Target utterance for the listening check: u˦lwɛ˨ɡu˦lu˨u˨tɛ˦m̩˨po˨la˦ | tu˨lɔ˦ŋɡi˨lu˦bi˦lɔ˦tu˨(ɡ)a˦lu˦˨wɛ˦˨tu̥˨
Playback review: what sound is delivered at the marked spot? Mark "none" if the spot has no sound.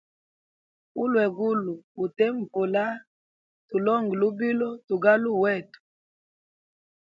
ɡ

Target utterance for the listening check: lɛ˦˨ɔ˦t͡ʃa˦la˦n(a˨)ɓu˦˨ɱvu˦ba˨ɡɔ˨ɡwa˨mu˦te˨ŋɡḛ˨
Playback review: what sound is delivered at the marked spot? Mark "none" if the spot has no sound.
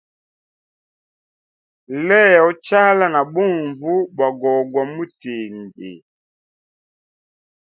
a˨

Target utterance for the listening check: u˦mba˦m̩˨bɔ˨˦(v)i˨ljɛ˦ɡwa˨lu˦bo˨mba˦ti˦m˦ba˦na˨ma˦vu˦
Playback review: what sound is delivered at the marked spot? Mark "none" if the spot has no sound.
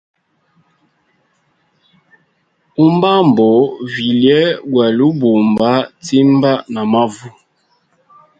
v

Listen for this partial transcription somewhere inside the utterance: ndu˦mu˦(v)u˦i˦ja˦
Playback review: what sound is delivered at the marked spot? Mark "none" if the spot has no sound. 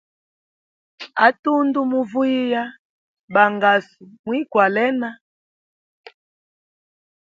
v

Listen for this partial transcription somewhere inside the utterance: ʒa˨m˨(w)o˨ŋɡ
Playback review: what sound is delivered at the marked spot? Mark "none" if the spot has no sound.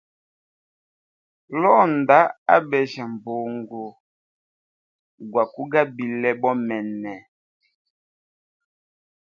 b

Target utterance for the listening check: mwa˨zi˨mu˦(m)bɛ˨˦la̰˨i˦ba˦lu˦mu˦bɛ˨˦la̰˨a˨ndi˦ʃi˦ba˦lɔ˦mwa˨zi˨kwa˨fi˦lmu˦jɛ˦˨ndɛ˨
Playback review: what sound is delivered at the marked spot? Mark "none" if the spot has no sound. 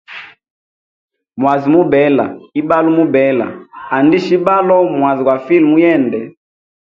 none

